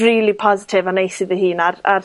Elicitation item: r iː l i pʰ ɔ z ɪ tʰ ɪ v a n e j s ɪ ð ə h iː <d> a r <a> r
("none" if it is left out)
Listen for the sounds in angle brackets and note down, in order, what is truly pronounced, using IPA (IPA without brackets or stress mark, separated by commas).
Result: n, a